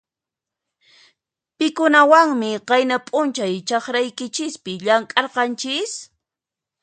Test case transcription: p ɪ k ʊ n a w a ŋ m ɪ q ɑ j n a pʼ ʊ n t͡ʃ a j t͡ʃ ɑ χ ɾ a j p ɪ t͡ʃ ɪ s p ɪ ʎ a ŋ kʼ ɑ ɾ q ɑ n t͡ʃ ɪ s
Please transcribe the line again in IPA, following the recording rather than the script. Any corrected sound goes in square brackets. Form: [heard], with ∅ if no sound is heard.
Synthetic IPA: p ɪ k ʊ n a w a ŋ m ɪ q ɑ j n a pʼ ʊ n t͡ʃ a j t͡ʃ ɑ χ ɾ a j [k] ɪ t͡ʃ ɪ s p ɪ ʎ a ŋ kʼ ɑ ɾ q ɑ n t͡ʃ ɪ s